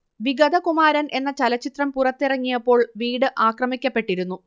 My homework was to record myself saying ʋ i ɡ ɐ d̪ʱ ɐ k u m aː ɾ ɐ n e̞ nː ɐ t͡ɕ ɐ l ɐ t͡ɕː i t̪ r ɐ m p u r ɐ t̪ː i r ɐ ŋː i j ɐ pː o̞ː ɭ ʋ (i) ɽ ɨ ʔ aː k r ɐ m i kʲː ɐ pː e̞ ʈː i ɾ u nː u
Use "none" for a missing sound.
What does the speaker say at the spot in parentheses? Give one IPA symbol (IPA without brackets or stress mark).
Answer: iː